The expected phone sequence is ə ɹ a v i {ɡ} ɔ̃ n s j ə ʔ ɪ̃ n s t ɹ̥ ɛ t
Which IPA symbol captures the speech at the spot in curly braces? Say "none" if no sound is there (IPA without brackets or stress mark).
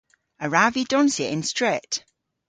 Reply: d